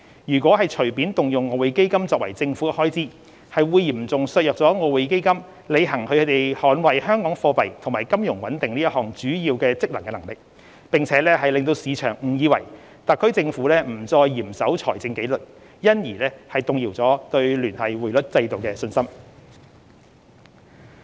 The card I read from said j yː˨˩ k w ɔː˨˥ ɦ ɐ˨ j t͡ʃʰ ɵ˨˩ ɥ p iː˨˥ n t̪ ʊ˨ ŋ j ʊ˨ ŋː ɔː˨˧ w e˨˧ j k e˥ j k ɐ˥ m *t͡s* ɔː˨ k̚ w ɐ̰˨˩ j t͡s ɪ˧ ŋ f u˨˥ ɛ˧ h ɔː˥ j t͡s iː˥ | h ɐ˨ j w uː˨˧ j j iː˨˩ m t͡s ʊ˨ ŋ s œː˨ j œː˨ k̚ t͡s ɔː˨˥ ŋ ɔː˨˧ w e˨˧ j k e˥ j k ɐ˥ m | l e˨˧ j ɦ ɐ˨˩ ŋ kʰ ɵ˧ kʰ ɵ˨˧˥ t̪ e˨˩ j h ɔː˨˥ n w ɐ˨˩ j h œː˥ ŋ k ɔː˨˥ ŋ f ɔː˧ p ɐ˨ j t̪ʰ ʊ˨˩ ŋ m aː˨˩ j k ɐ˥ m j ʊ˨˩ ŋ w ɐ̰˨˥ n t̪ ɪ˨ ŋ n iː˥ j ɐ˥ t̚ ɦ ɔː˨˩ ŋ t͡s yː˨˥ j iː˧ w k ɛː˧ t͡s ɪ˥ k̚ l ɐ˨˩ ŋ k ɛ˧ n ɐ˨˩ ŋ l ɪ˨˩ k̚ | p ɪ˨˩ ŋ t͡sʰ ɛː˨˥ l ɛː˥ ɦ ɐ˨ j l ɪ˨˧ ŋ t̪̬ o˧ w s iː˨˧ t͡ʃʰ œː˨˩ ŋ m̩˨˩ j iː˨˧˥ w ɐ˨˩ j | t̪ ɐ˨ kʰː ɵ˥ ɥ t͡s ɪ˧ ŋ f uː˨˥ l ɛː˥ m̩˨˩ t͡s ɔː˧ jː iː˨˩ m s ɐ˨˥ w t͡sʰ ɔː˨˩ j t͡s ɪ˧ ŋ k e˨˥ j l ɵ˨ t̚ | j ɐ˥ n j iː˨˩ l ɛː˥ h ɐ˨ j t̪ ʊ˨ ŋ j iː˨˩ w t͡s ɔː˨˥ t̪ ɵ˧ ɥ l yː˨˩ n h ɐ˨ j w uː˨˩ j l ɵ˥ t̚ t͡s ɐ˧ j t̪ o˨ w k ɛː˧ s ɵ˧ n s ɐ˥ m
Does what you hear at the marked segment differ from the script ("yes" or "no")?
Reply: no